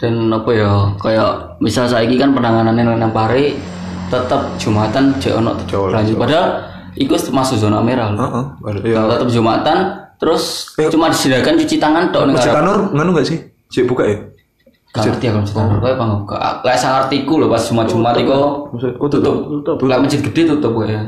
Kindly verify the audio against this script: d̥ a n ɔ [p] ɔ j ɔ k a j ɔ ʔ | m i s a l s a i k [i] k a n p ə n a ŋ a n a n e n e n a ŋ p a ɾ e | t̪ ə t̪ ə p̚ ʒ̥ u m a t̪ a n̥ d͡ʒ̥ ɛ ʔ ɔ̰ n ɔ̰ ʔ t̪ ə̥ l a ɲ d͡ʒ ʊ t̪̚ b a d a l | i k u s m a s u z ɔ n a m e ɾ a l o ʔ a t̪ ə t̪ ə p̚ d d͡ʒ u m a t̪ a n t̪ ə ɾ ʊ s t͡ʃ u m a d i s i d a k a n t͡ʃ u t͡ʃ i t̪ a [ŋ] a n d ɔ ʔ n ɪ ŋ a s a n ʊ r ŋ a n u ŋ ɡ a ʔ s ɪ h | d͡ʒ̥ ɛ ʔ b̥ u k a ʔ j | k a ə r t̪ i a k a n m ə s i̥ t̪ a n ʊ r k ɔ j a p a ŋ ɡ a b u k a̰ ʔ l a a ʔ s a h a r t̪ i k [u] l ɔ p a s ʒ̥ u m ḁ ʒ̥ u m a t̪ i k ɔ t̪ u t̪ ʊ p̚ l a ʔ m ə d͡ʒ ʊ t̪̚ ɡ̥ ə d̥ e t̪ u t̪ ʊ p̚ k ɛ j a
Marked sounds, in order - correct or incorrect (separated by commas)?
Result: correct, correct, correct, correct